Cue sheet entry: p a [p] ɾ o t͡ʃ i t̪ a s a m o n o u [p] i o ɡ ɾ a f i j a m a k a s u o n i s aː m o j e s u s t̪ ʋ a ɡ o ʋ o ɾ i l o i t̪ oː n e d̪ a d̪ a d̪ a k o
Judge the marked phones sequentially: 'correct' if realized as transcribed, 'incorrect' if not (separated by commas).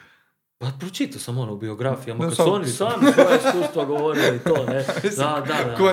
correct, incorrect